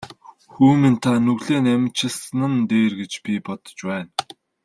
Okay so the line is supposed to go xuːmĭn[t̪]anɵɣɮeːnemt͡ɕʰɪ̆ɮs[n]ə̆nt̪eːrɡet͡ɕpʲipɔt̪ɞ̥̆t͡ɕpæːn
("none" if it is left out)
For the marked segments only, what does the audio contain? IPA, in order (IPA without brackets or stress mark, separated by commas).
t̪ʰ, n